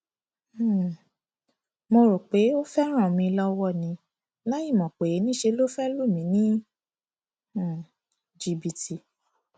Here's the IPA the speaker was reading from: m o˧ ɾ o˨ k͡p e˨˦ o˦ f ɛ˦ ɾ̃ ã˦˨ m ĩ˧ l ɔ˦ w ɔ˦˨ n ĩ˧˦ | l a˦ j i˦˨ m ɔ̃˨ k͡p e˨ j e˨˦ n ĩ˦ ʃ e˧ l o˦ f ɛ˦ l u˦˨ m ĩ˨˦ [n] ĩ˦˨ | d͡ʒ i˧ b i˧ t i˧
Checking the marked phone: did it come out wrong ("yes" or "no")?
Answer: no